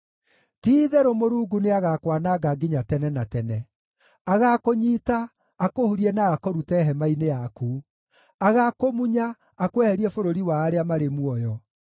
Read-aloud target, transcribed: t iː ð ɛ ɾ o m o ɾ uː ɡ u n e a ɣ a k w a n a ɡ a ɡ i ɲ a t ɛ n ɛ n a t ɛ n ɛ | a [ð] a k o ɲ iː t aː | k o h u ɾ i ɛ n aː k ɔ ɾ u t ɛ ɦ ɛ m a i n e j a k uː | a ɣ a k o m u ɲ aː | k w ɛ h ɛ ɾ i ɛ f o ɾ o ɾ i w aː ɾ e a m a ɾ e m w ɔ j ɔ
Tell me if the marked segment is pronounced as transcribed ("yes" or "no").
no